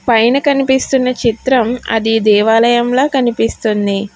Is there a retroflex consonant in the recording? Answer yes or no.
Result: no